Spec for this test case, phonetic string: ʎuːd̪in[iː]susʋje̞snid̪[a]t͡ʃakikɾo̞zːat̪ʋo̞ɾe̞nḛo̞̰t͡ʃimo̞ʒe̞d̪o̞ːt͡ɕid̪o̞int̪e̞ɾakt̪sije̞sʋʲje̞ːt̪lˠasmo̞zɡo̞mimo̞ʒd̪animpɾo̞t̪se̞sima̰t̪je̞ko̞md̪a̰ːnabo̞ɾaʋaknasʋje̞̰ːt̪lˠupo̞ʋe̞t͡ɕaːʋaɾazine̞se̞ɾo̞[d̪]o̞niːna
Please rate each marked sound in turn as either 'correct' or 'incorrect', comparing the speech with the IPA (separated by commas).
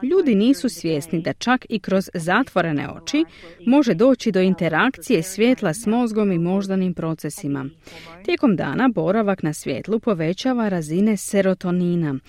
correct, correct, incorrect